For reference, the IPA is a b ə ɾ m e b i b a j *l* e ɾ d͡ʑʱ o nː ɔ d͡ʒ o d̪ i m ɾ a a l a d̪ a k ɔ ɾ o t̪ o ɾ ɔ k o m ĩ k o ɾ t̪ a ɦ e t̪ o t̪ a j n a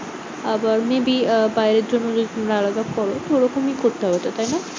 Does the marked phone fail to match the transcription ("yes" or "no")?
yes